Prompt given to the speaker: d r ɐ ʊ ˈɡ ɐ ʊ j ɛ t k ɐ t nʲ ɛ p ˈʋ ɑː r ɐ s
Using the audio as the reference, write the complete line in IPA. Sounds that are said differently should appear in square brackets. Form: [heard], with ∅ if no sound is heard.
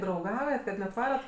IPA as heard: d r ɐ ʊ ˈɡ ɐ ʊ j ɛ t k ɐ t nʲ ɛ [t] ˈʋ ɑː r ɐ [t]